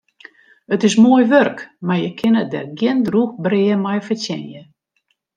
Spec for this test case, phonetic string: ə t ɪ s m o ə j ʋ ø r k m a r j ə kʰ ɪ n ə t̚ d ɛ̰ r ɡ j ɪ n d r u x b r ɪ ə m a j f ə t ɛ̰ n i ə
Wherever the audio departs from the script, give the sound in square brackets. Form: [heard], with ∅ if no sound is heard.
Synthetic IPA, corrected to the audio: ə t ɪ s m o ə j ʋ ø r k m a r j ə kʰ ɪ n ə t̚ d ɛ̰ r ɡ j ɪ n d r u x b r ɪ ə m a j f ə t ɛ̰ n [j] ə